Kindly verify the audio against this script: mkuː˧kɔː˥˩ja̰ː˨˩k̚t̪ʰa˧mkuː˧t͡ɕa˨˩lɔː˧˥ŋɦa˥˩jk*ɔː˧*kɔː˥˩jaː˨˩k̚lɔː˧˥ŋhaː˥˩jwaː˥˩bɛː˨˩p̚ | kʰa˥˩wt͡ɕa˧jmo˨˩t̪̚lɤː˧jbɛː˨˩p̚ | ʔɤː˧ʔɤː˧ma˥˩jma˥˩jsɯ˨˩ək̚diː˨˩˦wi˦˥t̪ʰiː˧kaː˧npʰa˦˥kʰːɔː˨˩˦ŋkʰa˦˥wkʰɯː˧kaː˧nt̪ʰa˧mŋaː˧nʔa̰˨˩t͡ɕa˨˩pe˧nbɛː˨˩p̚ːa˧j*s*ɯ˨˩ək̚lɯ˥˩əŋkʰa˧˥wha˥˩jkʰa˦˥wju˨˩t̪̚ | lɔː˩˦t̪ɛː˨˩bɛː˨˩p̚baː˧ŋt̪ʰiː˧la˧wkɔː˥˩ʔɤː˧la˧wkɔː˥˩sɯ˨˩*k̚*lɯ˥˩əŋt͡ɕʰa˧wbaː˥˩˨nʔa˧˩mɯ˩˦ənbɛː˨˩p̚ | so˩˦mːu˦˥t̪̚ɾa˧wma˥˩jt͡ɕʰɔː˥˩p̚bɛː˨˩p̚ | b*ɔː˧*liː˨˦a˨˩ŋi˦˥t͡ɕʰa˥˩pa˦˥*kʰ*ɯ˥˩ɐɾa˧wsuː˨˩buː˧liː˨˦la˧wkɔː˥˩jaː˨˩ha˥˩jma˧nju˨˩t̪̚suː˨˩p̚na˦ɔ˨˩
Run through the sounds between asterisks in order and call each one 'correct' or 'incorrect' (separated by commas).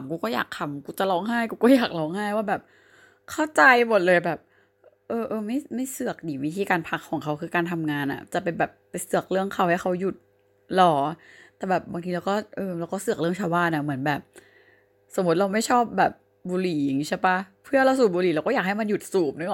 incorrect, correct, correct, incorrect, incorrect